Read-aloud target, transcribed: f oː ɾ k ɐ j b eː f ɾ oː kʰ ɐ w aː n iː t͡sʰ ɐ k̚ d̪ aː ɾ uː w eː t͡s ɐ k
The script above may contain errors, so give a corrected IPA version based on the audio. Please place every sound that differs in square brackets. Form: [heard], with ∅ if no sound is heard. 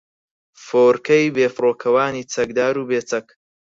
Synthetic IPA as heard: f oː ɾ k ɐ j b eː f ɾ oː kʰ ɐ w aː n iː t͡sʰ ɐ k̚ d̪ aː ɾ uː [b] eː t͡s ɐ k